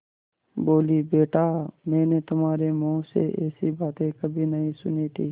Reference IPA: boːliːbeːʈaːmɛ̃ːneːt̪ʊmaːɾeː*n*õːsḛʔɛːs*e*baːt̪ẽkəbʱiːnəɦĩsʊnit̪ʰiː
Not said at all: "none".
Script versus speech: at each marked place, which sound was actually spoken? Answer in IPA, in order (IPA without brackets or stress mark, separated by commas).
m, i